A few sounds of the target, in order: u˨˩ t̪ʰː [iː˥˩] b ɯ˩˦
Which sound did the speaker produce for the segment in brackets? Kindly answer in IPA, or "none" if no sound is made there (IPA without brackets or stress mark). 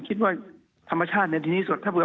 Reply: aː˥˩